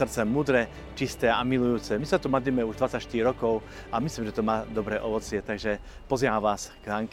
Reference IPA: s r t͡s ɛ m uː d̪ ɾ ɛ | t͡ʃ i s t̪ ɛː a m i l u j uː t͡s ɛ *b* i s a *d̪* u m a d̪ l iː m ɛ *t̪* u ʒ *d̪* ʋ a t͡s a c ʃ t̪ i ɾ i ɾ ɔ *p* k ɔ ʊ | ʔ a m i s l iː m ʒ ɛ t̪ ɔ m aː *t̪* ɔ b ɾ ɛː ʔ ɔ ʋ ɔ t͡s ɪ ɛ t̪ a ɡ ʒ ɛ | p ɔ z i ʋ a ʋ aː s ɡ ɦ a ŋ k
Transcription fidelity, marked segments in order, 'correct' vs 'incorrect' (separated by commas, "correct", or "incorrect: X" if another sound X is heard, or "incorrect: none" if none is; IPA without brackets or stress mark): incorrect: m, incorrect: t̪, incorrect: none, correct, incorrect: none, incorrect: d̪